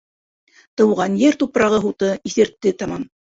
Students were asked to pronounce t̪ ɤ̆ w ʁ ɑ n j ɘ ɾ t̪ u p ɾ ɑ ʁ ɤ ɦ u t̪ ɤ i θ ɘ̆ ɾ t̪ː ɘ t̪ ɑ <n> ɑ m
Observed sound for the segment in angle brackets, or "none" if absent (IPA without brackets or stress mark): m